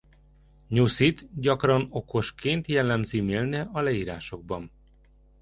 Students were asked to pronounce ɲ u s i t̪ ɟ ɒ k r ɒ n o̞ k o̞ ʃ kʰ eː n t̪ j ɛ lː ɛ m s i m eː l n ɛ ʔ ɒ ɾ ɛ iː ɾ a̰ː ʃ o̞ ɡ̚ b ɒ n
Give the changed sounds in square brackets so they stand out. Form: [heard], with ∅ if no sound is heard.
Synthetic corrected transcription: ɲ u s i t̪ ɟ ɒ k r ɒ n o̞ k o̞ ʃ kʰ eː n t̪ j ɛ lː ɛ m [z] i m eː l n ɛ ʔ ɒ [l] ɛ iː ɾ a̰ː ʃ o̞ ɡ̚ b ɒ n

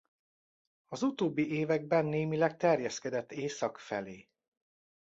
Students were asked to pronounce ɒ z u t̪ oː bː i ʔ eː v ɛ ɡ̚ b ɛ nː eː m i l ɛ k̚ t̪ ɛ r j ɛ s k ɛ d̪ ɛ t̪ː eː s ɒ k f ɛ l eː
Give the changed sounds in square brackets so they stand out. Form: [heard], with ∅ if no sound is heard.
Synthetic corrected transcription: ɒ z u t̪ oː bː i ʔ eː v ɛ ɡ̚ b ɛ nː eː m i l ɛ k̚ t̪ ɛ r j ɛ s k ɛ d̪ ɛ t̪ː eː s ɒ k f ɛ l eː

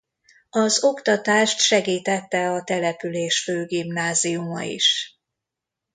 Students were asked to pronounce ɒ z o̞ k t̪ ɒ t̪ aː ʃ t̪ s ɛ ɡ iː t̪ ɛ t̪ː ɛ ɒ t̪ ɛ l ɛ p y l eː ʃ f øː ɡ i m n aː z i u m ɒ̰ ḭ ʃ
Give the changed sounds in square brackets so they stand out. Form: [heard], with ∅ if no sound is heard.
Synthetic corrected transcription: ɒ z o̞ k t̪ ɒ t̪ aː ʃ t̪ [ʃ] ɛ ɡ iː t̪ ɛ t̪ː ɛ ɒ t̪ ɛ l ɛ p y l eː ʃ f øː ɡ i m n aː z i u m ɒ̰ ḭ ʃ

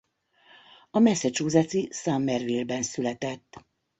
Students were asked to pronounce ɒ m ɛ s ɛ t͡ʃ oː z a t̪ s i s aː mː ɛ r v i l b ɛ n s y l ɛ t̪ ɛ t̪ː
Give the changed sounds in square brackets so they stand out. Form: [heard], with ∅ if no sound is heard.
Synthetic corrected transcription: ɒ m ɛ s ɛ t͡ʃ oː z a t̪ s i s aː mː ɛ r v i l b ɛ n s y l ɛ t̪ ɛ t̪ː

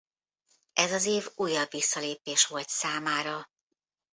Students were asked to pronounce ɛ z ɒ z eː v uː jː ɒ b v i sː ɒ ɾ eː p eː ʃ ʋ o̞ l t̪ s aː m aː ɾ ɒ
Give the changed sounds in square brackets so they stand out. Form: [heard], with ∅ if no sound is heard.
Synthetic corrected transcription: ɛ z ɒ z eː v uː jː ɒ b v i sː ɒ [l] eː p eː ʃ ʋ o̞ l t̪ s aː m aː ɾ ɒ

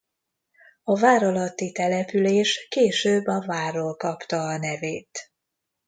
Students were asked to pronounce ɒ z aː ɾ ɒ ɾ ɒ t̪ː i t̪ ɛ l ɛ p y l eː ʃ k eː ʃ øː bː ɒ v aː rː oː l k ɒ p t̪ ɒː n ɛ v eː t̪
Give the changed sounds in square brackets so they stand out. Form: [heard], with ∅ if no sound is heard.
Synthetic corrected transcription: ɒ [v] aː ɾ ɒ [l] ɒ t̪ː i t̪ ɛ l ɛ p y l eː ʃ k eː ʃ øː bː ɒ v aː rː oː l k ɒ p t̪ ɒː n ɛ v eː t̪

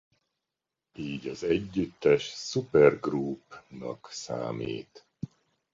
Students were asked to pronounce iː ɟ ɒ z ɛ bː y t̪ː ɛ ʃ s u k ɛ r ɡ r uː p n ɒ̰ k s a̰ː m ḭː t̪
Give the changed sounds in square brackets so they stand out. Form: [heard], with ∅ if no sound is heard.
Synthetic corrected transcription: iː ɟ ɒ z ɛ [ɟː] y t̪ː ɛ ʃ s u [p] ɛ r ɡ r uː p n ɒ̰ k s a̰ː m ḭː t̪

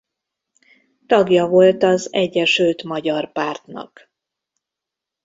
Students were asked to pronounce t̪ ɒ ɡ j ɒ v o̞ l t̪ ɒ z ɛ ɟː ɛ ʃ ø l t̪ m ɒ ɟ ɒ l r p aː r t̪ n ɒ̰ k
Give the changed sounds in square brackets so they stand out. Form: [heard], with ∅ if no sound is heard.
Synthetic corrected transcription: t̪ ɒ ɡ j ɒ v o̞ l t̪ ɒ z ɛ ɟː ɛ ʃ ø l t̪ m ɒ ɟ ɒ [∅] r p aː r t̪ n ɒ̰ k

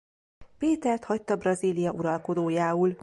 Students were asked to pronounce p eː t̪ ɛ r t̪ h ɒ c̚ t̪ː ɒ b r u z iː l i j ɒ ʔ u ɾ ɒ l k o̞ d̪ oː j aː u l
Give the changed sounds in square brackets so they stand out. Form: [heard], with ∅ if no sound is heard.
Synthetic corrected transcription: p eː t̪ ɛ r t̪ h ɒ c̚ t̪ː ɒ b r [ɒ] z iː l i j ɒ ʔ u ɾ ɒ l k o̞ d̪ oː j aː u l

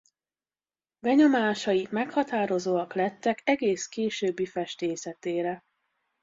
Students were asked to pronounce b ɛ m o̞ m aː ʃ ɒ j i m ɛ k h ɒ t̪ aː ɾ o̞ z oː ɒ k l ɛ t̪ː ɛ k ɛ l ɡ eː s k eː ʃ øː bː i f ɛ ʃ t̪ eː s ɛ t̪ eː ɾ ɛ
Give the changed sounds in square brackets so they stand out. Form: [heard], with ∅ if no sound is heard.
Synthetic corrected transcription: b ɛ [ɲ] o̞ m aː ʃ ɒ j i m ɛ k h ɒ t̪ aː ɾ o̞ z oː ɒ k l ɛ t̪ː ɛ k ɛ [∅] ɡ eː s k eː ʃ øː bː i f ɛ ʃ t̪ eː s ɛ t̪ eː ɾ ɛ

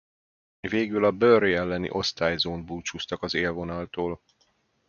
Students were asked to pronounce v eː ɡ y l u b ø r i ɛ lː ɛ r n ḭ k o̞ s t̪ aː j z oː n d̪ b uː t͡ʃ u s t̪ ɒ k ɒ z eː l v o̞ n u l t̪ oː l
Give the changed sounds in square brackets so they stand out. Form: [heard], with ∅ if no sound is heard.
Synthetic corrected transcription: v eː ɡ y l [ɒ] b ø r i ɛ lː ɛ [∅] n ḭ [ʔ] o̞ s t̪ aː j z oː n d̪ b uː t͡ʃ u s t̪ ɒ k ɒ z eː l v o̞ n [ɒ] l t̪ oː l

